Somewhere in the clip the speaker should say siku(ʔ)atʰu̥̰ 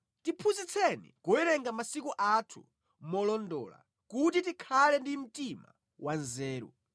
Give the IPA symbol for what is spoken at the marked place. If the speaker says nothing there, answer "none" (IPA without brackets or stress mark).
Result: ʔ